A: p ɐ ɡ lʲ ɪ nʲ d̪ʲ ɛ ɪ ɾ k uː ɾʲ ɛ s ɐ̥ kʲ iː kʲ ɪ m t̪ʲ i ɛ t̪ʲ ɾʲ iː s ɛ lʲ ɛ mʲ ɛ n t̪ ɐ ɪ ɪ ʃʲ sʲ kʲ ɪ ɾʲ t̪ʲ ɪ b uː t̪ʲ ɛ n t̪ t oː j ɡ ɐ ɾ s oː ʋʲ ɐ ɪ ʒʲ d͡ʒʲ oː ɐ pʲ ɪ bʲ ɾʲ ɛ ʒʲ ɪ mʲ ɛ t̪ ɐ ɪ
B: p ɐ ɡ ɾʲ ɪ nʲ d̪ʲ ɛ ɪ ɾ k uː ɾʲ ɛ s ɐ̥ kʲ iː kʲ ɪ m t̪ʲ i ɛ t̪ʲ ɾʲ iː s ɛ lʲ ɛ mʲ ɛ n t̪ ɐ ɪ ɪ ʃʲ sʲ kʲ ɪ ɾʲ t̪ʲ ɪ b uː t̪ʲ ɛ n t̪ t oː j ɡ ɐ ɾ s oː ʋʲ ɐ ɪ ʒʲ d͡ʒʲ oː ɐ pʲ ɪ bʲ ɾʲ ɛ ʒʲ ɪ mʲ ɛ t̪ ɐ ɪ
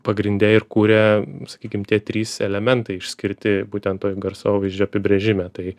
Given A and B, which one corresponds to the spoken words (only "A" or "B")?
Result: B